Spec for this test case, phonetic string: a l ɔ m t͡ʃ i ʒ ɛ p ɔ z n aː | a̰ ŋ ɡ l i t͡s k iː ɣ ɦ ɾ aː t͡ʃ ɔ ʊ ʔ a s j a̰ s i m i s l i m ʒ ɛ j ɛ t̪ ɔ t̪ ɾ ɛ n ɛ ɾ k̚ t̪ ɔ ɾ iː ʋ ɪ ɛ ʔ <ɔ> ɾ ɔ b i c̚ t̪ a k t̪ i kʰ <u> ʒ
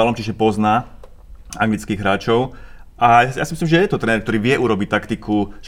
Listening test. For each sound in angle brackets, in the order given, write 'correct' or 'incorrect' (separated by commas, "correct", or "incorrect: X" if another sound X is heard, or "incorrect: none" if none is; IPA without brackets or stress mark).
incorrect: u, correct